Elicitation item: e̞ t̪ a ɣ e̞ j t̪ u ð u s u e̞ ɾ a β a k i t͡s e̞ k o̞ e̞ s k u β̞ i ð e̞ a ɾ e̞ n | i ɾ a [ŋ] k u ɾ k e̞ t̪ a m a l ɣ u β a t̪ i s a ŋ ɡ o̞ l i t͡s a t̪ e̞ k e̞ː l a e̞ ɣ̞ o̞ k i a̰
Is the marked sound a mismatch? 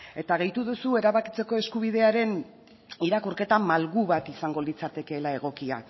yes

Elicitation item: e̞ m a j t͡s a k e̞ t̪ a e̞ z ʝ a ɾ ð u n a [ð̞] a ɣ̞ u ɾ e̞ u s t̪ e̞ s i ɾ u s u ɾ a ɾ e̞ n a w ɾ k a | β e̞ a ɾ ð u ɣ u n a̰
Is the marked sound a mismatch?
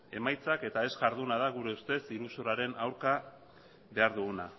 no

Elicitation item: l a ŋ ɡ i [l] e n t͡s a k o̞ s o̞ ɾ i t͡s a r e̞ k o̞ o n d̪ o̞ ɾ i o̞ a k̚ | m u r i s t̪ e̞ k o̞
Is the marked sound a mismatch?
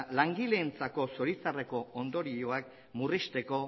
no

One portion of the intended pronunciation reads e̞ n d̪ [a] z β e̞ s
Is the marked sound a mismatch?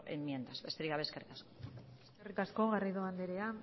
no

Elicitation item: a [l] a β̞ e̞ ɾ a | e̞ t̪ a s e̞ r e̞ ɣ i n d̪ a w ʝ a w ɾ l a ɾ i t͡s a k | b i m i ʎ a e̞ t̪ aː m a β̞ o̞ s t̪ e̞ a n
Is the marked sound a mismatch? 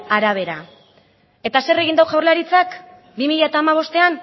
yes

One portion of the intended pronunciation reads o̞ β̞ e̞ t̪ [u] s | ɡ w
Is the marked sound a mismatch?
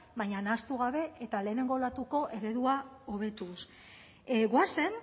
no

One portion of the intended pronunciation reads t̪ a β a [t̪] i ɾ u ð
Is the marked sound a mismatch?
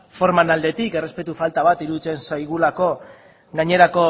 no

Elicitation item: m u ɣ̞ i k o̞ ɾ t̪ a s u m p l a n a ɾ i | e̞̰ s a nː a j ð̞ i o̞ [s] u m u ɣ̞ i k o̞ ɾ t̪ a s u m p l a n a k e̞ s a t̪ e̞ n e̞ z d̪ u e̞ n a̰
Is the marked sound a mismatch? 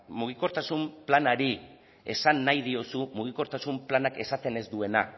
no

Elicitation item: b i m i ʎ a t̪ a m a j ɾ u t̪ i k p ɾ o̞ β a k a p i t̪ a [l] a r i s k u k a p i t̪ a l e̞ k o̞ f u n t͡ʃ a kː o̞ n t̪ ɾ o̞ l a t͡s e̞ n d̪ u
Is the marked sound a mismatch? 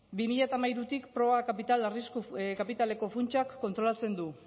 no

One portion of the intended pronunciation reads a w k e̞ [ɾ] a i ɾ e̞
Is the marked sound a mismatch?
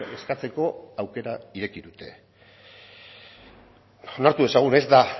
no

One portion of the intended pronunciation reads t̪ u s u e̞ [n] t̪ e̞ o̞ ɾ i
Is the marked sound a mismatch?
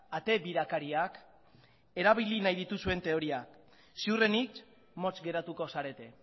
no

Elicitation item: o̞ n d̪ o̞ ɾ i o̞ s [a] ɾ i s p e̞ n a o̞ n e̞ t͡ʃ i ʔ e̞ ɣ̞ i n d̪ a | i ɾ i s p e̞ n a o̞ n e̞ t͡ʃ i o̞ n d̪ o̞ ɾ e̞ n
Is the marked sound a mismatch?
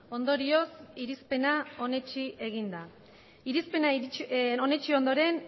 yes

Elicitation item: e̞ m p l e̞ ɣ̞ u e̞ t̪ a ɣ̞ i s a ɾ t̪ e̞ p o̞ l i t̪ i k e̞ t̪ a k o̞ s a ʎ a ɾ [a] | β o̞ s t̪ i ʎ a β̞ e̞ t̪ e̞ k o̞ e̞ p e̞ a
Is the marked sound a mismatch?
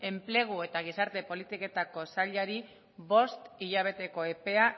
yes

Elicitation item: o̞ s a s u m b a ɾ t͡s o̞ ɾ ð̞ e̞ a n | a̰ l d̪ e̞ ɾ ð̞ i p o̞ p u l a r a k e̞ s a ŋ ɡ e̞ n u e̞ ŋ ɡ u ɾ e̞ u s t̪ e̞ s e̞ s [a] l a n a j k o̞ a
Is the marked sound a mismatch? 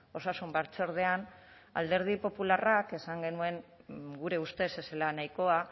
yes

